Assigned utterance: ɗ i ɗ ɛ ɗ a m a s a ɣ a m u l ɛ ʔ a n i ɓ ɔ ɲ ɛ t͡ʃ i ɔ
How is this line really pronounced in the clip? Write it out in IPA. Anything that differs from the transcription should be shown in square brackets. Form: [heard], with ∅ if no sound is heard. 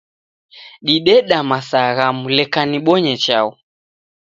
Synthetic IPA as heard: ɗ i ɗ ɛ ɗ a m a s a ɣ a m u l ɛ [k] a n i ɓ ɔ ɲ ɛ t͡ʃ [a] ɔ

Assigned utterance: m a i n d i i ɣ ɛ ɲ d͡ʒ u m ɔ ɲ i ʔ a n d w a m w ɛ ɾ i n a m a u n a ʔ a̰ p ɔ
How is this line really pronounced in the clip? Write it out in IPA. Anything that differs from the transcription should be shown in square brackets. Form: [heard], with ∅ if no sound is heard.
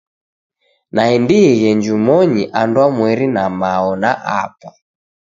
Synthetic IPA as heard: [n] a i n d i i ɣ ɛ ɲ d͡ʒ u m ɔ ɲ i ʔ a n d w a m w ɛ ɾ i n a m a [ɔ] n a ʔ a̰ p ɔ

